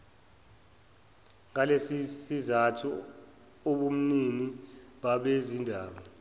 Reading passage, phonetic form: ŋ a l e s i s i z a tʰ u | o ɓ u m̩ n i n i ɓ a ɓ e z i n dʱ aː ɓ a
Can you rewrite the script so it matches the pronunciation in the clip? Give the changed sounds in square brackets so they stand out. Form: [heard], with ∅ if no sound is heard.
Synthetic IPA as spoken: ŋ a l e s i s i z a tʰ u | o ɓ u m̩ n i n i ɓ a ɓ e z i n dʱ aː ɓ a